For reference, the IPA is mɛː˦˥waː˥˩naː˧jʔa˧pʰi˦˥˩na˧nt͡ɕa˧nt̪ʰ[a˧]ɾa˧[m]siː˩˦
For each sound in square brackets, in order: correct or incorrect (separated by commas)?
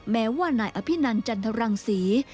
correct, incorrect